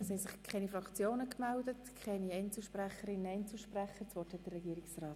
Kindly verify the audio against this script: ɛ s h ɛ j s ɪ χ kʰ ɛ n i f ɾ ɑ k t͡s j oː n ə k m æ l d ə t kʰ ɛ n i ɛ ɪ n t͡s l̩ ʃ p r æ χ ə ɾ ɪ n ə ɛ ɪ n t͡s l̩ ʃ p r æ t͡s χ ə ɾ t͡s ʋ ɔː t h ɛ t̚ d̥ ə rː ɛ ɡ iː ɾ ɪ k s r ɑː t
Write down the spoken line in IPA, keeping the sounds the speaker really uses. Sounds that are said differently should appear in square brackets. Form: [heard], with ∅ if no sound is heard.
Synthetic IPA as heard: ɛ s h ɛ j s ɪ χ kʰ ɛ n i f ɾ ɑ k t͡s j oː n ə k m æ l d ə t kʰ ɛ n i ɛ ɪ n t͡s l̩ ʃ p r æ χ ə ɾ ɪ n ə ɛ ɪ n t͡s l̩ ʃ p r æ [∅] χ ə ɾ t͡s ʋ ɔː t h ɛ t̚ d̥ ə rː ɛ ɡ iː ɾ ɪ k s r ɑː t